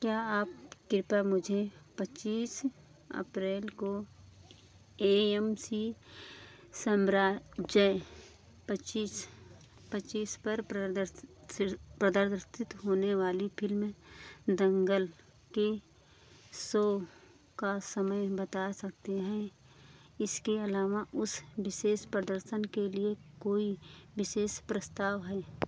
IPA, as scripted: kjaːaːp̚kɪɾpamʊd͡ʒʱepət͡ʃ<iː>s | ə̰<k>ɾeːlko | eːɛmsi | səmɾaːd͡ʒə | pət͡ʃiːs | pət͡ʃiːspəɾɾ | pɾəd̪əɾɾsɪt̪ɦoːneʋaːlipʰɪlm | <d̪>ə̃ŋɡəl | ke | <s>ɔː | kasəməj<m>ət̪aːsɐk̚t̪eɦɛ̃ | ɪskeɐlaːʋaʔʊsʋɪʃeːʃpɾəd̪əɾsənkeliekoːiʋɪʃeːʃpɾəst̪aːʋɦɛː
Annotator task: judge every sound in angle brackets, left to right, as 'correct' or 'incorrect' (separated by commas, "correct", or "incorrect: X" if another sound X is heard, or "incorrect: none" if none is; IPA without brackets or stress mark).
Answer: correct, incorrect: p, correct, correct, incorrect: b